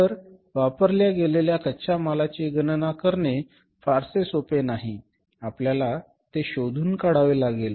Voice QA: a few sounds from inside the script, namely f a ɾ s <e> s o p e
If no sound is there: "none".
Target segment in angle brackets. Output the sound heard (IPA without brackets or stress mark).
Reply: e